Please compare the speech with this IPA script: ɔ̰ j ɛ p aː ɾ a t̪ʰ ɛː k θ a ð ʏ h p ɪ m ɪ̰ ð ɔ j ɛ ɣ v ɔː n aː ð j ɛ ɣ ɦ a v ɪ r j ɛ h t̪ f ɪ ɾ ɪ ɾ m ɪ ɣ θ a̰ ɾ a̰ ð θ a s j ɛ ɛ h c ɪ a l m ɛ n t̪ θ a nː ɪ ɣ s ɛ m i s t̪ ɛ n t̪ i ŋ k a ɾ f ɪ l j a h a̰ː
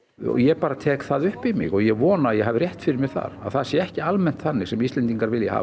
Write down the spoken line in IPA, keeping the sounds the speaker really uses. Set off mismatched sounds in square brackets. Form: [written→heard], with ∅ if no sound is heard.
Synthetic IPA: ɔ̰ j ɛ p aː ɾ a t̪ʰ ɛː k θ a ð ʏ h p ɪ m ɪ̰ [ð→ɣ] ɔ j ɛ ɣ v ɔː n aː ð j ɛ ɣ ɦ a v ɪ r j ɛ h t̪ f ɪ ɾ ɪ ɾ m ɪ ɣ θ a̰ ɾ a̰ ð θ a s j ɛ ɛ h c ɪ a l m ɛ n t̪ θ a nː ɪ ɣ s ɛ m i s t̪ ɛ n t̪ i ŋ k a ɾ [f→v] ɪ l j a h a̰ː